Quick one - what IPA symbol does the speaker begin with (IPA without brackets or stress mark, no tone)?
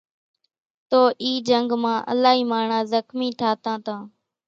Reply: t̪